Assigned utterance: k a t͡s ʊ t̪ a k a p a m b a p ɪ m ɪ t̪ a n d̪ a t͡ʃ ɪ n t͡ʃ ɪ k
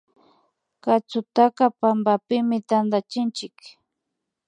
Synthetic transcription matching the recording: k a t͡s ʊ t̪ a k a p a m b a p ɪ m ɪ t̪ a n d̪ a t͡ʃ ɪ n t͡ʃ ɪ k